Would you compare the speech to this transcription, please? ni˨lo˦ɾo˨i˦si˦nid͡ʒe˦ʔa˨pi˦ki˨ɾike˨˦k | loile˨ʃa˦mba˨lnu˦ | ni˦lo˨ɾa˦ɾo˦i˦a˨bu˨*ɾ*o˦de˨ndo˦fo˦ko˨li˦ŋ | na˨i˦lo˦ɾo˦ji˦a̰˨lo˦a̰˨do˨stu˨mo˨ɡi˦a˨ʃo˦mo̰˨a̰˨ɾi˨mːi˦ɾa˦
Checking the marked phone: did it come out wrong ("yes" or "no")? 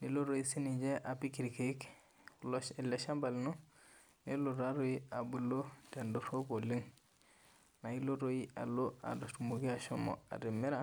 yes